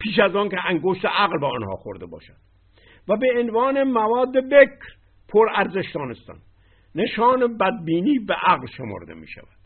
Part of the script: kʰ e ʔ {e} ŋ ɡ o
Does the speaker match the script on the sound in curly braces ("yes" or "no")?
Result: no